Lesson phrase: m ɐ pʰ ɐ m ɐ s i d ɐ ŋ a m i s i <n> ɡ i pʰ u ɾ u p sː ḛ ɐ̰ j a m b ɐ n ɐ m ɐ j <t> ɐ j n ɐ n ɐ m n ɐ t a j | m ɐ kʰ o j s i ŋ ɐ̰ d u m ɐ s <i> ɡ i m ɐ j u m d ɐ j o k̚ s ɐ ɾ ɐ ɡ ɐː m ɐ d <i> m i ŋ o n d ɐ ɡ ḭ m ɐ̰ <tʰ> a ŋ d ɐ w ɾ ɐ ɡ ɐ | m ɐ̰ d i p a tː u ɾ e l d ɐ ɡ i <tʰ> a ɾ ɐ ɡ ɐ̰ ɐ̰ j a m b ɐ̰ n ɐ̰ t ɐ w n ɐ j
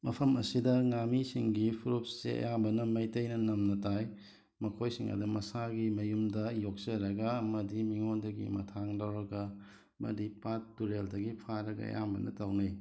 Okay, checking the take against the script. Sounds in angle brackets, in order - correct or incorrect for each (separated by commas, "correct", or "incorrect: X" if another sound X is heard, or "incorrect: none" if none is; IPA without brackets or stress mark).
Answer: incorrect: ŋ, correct, incorrect: a, correct, correct, incorrect: pʰ